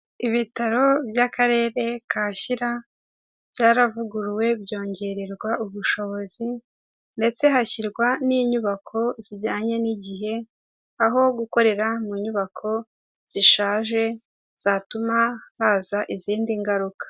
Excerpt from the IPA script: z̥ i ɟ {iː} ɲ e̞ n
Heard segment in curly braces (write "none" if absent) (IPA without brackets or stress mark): aː